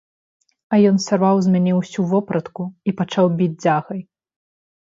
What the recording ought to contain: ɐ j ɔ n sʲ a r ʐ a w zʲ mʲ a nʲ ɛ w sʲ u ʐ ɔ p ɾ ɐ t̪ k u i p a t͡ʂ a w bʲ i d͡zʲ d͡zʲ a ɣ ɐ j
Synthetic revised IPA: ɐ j ɔ n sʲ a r v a w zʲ mʲ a nʲ ɛ w sʲ u v ɔ p ɾ ɐ t̪ k u i p a t͡ʂ a w bʲ i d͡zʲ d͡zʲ a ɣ ɐ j

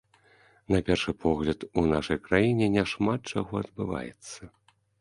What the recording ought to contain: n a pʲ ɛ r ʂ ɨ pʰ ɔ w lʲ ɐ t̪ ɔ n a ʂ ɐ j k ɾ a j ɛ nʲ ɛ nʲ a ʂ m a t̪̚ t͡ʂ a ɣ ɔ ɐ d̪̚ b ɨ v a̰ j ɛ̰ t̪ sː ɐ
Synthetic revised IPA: n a pʲ ɛ r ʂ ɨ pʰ ɔ ɣ lʲ ɐ t̪ u n a ʂ ɐ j k ɾ a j i nʲ ɛ nʲ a ʂ m a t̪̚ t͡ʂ a ɣ ɔ ɐ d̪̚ b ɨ v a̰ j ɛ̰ t̪ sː ɐ

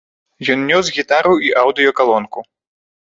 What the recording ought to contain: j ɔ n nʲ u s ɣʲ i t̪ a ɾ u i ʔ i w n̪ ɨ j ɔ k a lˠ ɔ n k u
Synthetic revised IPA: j ɔ n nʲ ɔ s ɣʲ i t̪ a ɾ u i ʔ a w d̪ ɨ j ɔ k a lˠ ɔ n k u

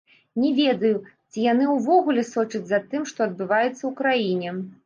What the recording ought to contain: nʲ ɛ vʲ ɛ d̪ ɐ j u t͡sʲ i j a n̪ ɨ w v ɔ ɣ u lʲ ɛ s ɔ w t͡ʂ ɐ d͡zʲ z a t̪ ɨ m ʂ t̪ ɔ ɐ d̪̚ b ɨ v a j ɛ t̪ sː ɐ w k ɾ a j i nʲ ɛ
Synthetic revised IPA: nʲ ɛ vʲ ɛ d̪ ɐ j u t͡sʲ i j a n̪ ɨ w v ɔ ɣ u lʲ ɛ s ɔ t͡ʂ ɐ d͡zʲ z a t̪ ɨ m ʂ t̪ ɔ ɐ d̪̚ b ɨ v a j ɛ t̪ sː ɐ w k ɾ a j i nʲ ɛ

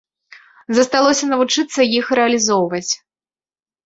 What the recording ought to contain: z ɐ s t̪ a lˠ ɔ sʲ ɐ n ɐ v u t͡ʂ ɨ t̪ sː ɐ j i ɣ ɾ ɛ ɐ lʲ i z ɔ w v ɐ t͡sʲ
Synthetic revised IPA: z ɐ s t̪ a lˠ ɔ sʲ ɐ n ɐ v u t͡ʂ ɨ t̪ sː ɐ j i x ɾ ɛ ɐ lʲ i z ɔ w v ɐ t͡sʲ

